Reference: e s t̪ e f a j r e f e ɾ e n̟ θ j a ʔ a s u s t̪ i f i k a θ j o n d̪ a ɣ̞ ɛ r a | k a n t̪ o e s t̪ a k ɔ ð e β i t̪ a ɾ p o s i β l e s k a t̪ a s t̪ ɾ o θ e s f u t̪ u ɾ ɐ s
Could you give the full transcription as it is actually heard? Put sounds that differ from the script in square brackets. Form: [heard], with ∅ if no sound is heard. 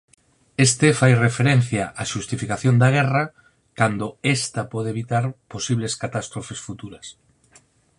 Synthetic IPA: e s t̪ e f a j r e f e ɾ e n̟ θ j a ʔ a [ʃ] u s t̪ i f i k a θ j o n d̪ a ɣ̞ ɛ r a | k a n [d̪] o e s t̪ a [p] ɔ ð e β i t̪ a ɾ p o s i β l e s k a t̪ a s t̪ ɾ o [f] e s f u t̪ u ɾ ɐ s